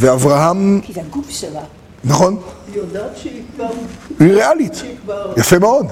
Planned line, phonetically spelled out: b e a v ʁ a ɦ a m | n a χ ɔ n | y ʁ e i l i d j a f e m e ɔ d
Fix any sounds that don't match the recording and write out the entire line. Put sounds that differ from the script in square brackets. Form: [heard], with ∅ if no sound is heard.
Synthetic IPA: [v] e a v ʁ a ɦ a m | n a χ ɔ n | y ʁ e [a] l i [t] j a f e m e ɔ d